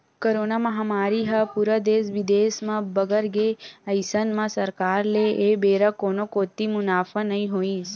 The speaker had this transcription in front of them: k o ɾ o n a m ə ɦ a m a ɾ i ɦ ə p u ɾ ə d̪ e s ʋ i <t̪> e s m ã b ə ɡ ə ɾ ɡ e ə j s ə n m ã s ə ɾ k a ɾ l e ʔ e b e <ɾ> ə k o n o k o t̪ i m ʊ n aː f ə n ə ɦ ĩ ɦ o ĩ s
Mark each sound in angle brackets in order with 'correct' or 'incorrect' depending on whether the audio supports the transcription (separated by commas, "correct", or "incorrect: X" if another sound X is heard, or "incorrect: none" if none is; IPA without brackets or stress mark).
incorrect: d̪, correct